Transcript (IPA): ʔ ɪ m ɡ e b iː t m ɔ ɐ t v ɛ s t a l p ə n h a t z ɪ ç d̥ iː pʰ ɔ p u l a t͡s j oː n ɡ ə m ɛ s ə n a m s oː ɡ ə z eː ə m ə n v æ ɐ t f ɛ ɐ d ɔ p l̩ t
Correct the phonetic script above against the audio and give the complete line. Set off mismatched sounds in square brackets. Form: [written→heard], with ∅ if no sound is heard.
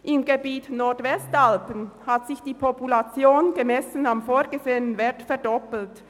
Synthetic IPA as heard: ʔ ɪ m ɡ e b iː t [m→n] ɔ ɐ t v ɛ s t a l p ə n h a t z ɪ ç d̥ iː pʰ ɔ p u l a t͡s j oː n ɡ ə m ɛ s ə n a m [s→f] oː ɡ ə z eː ə [m→n] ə n v [æ→ɛ] ɐ t f ɛ ɐ d ɔ p l̩ t